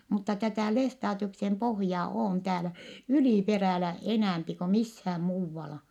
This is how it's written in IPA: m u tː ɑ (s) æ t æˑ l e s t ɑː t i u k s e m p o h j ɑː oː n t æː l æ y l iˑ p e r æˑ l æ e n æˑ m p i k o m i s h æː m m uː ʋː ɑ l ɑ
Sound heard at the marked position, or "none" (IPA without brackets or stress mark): t